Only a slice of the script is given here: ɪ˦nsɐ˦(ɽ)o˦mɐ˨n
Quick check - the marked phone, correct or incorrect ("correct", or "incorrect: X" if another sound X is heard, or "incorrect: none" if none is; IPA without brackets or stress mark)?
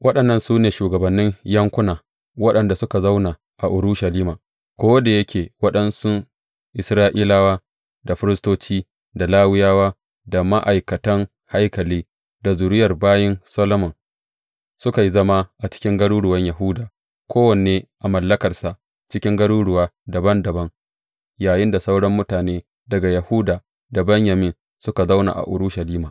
incorrect: l